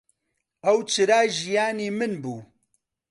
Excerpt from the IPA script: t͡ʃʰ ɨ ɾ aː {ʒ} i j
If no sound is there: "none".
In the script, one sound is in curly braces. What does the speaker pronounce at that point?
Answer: ʒ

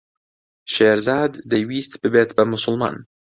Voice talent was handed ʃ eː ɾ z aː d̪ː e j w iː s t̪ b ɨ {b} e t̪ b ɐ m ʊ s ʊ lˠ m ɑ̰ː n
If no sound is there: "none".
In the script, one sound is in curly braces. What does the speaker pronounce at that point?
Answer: b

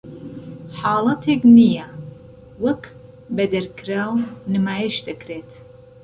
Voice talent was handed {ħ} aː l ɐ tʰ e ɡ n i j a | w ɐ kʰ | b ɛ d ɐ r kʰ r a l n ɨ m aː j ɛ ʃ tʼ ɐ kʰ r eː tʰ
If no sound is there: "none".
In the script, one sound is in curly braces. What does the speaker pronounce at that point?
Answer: ħ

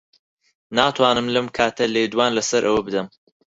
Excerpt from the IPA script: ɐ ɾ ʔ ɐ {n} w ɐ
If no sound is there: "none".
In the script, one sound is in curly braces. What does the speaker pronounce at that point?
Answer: none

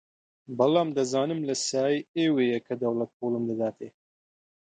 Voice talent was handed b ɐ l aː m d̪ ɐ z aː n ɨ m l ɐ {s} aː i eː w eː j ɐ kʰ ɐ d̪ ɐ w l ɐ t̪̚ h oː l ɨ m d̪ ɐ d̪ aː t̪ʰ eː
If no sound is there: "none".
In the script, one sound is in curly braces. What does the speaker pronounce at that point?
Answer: s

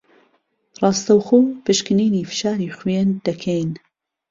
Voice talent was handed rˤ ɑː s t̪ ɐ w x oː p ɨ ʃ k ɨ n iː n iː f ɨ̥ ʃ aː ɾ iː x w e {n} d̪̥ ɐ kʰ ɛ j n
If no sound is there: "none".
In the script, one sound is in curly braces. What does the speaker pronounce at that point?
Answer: n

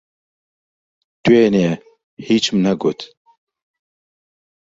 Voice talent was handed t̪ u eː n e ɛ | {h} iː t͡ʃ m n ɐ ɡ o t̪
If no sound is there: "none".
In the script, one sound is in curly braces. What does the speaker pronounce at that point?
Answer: h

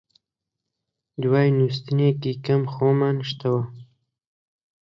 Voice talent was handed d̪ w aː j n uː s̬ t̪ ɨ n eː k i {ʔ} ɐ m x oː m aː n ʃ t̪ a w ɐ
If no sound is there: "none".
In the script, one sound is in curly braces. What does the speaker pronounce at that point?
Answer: k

